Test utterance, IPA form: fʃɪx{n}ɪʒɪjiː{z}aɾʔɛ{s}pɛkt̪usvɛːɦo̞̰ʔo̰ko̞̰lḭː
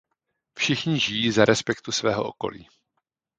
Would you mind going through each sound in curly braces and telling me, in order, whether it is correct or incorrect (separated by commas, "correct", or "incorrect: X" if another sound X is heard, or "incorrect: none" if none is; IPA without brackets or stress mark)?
incorrect: ɲ, correct, correct